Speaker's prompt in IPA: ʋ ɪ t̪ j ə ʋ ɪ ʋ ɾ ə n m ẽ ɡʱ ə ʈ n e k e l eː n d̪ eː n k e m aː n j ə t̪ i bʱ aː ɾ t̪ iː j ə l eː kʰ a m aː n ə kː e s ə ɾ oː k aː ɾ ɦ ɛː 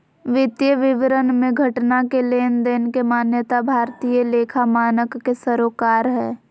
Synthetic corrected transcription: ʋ ɪ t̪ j ə ʋ ɪ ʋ ɾ ə n m ẽ ɡʱ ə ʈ n a k e l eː n d̪ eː n k e m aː n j ə t̪ a bʱ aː ɾ t̪ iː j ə l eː kʰ a m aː n ə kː e s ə ɾ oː k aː ɾ ɦ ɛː